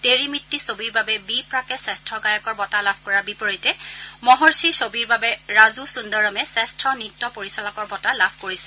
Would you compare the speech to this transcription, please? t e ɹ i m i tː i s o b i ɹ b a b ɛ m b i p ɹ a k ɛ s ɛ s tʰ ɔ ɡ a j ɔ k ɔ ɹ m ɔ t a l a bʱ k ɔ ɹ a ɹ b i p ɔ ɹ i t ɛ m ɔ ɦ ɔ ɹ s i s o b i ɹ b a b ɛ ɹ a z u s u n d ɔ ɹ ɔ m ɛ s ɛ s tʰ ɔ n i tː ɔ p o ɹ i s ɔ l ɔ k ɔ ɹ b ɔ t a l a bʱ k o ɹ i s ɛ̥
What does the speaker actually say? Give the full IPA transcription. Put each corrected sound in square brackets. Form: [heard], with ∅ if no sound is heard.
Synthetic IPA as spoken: t e ɹ i m i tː i s o b i ɹ b a b ɛ [∅] b i p ɹ a k ɛ s ɛ s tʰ ɔ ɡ a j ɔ k ɔ ɹ [b] ɔ t a l a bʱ k ɔ ɹ a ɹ b i p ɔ ɹ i t ɛ m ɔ ɦ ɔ ɹ s i s o b i ɹ b a b ɛ ɹ a z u s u n d ɔ ɹ ɔ m ɛ s ɛ s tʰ ɔ n i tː ɔ p o ɹ i s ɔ l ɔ k ɔ ɹ b ɔ t a l a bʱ k o ɹ i s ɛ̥